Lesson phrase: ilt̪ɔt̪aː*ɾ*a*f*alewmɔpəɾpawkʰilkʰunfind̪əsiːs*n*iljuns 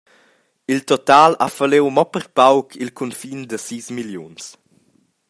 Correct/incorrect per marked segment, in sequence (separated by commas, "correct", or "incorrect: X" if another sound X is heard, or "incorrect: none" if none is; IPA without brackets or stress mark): incorrect: l, correct, incorrect: m